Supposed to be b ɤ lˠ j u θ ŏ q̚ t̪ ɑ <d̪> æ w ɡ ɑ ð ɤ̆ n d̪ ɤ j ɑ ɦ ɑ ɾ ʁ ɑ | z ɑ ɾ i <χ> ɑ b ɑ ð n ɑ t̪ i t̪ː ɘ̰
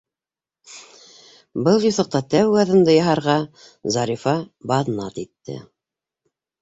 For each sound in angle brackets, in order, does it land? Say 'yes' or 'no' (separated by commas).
no, no